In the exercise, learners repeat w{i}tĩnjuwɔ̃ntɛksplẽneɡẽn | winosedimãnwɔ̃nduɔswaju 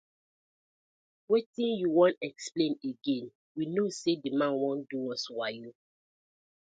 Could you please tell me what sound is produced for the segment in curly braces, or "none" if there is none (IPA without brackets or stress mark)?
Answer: e